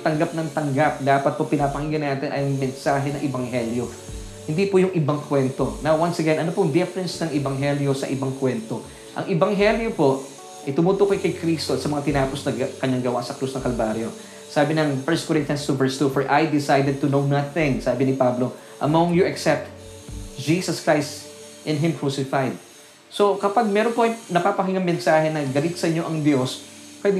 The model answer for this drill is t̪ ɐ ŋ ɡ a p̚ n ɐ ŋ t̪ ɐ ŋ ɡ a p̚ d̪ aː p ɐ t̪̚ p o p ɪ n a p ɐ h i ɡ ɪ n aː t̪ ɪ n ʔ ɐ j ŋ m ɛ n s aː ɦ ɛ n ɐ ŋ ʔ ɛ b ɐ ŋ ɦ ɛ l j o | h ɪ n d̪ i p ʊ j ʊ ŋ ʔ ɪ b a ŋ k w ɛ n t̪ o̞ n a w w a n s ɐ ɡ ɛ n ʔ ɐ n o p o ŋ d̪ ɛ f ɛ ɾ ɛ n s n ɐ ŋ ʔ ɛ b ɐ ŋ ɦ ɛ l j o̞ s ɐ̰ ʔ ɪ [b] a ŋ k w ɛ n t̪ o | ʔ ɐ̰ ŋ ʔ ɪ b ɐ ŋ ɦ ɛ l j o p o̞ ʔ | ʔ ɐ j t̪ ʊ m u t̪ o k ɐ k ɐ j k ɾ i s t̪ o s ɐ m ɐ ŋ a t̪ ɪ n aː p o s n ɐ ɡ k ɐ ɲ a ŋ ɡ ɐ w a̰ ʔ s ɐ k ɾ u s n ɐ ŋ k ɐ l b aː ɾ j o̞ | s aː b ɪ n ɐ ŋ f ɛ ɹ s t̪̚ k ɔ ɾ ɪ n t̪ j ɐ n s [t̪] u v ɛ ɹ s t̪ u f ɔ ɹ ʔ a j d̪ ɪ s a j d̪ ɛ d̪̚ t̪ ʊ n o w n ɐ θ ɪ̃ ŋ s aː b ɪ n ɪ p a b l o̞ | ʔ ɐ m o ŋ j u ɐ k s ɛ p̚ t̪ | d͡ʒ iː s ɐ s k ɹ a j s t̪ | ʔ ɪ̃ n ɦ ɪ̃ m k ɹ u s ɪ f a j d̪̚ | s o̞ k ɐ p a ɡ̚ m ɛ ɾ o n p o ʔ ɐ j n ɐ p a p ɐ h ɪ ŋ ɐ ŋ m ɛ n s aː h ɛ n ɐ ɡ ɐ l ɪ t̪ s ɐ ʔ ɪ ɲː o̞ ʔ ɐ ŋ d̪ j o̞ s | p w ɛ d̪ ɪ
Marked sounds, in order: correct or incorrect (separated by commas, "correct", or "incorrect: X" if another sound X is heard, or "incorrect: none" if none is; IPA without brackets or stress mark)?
correct, correct